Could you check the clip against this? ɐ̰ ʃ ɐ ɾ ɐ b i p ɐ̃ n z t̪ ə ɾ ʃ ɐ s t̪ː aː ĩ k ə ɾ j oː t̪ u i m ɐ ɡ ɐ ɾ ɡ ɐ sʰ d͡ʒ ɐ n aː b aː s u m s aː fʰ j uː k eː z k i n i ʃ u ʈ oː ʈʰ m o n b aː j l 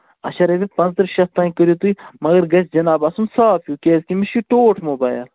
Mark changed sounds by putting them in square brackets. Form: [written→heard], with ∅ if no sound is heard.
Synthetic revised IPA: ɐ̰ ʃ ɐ ɾ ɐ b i p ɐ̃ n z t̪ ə ɾ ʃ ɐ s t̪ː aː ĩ k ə ɾ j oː t̪ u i m ɐ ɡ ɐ ɾ ɡ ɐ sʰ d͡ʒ ɐ n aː b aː s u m s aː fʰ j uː k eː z k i [n→m] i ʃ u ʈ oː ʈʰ m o [n→∅] b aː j l